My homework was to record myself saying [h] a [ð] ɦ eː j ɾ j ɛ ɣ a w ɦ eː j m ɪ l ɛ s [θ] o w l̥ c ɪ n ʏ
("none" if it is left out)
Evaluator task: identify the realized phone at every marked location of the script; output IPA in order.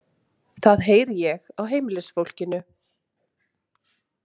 θ, ð, f

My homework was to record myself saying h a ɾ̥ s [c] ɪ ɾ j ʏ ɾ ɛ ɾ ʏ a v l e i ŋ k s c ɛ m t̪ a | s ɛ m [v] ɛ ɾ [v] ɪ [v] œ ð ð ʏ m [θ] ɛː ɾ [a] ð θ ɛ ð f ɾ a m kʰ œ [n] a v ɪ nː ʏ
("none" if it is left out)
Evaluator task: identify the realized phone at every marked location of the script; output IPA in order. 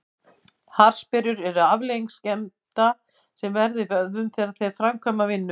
p, v, ð, v, θ, a, m

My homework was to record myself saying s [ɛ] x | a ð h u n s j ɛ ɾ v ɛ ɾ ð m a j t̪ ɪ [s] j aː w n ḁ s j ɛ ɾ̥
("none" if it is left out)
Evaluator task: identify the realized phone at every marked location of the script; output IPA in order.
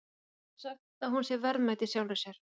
a, s

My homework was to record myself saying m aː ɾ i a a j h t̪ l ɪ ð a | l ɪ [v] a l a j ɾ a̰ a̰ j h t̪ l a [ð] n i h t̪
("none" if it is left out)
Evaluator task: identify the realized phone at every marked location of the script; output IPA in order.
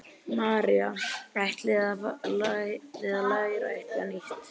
ð, none

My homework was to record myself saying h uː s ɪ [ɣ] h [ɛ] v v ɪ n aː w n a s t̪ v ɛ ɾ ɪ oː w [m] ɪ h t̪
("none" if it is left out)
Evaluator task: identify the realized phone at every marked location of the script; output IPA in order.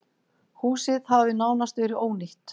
ð, a, n

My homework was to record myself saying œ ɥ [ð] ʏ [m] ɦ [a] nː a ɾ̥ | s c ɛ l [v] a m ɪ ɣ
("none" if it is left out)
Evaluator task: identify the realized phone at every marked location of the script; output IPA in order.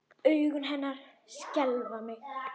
ɣ, n, ɛ, v

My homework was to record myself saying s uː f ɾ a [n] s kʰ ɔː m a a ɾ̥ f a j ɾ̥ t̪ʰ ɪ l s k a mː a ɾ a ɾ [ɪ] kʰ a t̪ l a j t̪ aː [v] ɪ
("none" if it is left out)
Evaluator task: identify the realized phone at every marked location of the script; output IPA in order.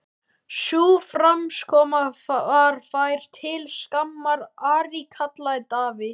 m, i, v

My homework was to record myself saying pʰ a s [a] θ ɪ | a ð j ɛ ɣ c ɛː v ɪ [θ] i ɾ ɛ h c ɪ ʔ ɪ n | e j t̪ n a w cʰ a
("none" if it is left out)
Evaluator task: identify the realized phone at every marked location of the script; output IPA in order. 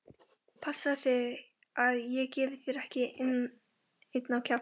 a, θ

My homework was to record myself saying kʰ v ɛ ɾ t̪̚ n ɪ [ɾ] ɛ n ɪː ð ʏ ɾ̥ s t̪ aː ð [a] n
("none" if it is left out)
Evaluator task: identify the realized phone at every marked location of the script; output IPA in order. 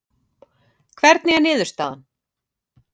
none, a

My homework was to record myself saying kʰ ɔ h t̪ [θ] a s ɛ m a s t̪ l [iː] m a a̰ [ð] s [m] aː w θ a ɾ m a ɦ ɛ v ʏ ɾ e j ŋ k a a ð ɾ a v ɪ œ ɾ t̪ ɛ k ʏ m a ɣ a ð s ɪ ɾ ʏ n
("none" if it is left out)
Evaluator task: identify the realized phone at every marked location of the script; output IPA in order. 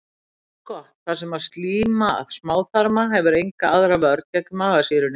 θ, iː, ð, m

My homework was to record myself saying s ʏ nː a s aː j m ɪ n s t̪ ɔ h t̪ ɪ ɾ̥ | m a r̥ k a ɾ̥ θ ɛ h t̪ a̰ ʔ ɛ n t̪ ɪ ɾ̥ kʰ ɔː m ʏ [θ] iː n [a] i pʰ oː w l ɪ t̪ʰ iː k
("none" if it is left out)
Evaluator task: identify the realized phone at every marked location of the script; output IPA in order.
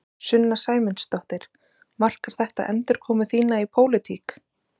θ, a

